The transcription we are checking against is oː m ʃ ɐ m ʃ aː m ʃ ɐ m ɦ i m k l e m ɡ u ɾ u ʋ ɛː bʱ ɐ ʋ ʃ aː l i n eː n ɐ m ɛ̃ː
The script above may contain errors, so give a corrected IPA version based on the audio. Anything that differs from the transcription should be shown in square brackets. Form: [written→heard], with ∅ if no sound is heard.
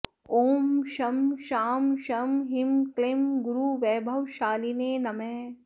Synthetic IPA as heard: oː m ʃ ɐ m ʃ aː m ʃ ɐ m ɦ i m k l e m ɡ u ɾ u ʋ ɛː bʱ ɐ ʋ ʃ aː l i n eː n ɐ m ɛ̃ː